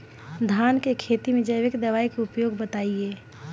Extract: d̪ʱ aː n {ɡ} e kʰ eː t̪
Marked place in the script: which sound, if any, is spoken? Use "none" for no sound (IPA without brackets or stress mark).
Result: k